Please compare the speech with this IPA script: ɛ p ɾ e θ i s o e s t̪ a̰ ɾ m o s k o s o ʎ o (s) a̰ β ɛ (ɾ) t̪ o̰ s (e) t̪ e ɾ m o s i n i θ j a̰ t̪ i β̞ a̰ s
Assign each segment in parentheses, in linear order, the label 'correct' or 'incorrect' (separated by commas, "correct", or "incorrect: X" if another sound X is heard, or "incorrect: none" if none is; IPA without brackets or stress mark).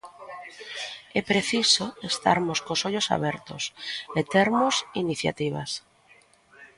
correct, correct, correct